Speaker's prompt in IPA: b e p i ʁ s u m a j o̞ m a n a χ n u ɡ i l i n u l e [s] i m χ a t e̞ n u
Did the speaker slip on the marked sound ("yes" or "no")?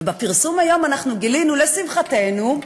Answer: no